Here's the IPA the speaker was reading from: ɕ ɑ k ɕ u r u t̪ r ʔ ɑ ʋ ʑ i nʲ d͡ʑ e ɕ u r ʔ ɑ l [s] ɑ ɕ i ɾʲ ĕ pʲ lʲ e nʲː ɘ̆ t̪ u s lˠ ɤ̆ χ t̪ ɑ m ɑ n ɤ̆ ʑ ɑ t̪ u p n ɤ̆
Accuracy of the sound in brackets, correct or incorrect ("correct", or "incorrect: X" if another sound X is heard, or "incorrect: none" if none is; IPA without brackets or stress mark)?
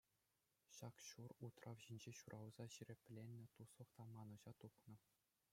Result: incorrect: z